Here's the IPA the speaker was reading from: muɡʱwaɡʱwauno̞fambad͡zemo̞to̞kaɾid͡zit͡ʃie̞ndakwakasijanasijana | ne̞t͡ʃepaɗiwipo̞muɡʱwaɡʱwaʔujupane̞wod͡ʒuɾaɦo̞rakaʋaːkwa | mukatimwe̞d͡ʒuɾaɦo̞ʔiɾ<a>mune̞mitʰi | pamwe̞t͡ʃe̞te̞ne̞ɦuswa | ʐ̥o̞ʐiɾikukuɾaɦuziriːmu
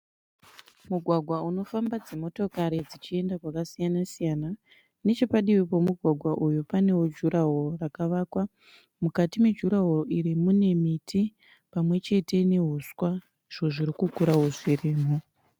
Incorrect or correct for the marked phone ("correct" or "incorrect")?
incorrect